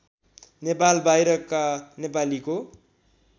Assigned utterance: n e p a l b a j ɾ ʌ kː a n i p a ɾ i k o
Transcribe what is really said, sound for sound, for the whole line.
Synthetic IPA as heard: n e p a l b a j ɾ ʌ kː a n e p a l i k o

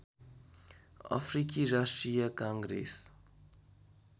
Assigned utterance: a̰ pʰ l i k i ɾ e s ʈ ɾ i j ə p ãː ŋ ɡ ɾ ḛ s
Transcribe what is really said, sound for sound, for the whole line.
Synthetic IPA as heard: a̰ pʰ ɾ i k i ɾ a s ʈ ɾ i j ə k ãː ŋ ɡ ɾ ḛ s

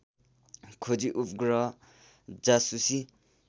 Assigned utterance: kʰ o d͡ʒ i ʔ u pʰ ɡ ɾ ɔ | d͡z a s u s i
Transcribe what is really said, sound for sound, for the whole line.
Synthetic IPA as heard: kʰ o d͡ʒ i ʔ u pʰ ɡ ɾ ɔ | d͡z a s u s i

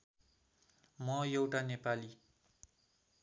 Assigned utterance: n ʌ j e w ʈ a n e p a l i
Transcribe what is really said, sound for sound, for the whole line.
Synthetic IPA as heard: m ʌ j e w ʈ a n e p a l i

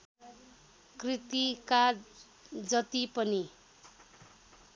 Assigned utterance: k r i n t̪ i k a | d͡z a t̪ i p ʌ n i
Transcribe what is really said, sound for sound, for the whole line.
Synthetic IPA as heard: k r i t̪ i k a | d͡z ʌ t̪ i p ʌ n i

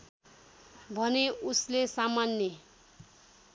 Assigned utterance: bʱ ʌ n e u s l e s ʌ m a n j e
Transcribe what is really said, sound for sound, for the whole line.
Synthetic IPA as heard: bʱ ʌ n e u s l e s a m a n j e

